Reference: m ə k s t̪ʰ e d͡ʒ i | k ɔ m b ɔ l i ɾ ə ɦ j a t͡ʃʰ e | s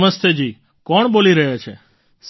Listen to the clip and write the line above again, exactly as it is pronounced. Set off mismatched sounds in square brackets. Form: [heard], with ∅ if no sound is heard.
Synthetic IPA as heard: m ə [∅] s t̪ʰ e d͡ʒ i | k ɔ [ɳ] b [o] l i ɾ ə ɦ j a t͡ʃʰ e | s